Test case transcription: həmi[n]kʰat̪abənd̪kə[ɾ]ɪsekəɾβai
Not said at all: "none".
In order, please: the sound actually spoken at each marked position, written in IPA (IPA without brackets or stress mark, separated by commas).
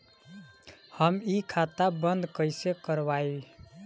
none, none